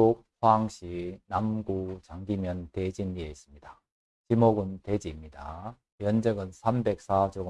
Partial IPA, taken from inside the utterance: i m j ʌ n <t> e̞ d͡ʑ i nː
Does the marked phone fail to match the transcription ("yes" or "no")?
no